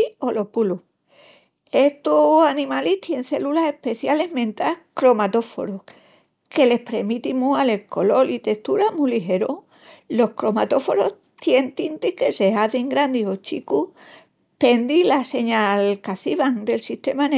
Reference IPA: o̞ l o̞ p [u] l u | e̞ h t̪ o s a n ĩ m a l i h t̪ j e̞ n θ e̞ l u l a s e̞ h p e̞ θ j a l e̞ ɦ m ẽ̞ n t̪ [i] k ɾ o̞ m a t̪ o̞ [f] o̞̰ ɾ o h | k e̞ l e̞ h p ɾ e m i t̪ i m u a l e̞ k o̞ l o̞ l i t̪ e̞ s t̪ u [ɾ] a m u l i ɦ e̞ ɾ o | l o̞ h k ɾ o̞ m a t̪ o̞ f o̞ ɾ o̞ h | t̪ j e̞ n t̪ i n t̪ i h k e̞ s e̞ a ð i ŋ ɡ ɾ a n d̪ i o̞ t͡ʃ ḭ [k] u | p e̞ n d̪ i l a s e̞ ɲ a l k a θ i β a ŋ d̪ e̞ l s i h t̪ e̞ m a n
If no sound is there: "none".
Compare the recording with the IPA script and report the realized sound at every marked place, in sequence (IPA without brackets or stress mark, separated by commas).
u, a, f, ɾ, k